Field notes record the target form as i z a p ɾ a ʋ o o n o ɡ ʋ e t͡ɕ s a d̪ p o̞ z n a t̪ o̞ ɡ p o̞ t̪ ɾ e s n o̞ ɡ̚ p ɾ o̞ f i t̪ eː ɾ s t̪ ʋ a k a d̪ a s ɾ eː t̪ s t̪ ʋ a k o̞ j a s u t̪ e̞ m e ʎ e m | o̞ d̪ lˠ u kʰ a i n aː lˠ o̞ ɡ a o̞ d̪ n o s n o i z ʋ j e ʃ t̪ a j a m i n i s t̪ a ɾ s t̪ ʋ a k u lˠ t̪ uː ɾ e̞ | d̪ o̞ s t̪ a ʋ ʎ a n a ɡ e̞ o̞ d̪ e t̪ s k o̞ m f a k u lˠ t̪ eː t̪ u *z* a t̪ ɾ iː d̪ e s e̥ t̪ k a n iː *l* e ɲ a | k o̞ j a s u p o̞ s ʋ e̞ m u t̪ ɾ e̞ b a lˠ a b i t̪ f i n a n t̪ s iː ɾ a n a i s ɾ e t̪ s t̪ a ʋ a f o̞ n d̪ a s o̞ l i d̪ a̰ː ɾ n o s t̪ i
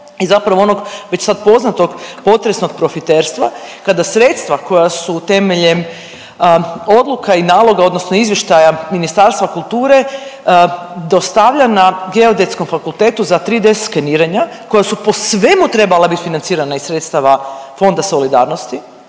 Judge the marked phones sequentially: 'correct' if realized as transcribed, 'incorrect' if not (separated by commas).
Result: correct, incorrect